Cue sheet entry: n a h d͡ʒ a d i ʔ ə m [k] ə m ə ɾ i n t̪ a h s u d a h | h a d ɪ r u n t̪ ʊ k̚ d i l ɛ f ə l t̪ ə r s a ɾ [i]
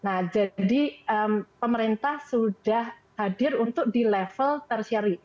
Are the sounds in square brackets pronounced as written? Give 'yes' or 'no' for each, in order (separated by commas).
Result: no, yes